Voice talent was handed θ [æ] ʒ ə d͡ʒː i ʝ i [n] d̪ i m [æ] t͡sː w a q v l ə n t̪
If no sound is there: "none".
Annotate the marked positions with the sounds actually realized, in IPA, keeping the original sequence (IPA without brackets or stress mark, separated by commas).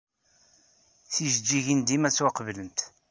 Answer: i, n, æ